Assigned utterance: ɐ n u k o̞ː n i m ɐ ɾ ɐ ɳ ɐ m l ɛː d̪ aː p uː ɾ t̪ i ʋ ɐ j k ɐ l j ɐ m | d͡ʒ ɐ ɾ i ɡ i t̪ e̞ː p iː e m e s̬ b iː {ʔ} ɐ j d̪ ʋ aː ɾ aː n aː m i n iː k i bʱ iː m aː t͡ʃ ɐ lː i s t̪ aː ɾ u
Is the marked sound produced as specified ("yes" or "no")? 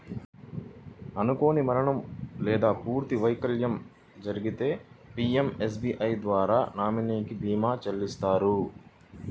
yes